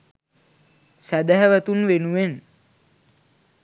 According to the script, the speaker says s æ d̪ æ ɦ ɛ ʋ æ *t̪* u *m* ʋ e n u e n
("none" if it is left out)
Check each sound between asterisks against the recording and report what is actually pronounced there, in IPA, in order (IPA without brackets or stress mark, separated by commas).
t̪, n